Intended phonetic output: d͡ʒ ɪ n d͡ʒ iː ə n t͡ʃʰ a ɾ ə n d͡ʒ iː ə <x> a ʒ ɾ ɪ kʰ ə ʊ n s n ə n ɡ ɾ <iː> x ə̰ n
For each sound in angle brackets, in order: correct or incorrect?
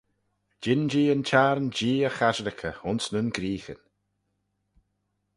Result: correct, correct

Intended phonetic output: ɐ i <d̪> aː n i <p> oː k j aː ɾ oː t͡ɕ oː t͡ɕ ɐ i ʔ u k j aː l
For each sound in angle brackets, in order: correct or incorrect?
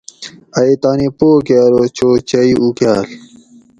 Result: incorrect, correct

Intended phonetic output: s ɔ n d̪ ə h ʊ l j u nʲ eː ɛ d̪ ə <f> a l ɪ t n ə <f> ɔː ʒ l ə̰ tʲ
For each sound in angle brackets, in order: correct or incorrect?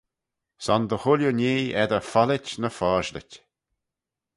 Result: correct, correct

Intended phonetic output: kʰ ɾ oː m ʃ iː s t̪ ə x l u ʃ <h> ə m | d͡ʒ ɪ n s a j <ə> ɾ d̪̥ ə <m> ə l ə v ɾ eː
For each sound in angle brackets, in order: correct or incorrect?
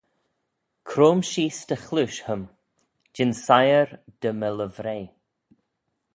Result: correct, correct, correct

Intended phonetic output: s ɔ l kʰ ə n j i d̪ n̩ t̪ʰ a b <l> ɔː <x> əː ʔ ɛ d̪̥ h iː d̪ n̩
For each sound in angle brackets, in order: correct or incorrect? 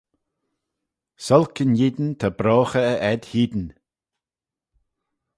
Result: incorrect, correct

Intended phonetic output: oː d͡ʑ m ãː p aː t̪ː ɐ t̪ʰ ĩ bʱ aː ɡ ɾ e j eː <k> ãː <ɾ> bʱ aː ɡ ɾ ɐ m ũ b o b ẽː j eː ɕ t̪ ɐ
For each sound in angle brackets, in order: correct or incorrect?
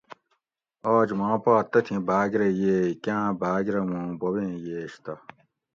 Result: correct, incorrect

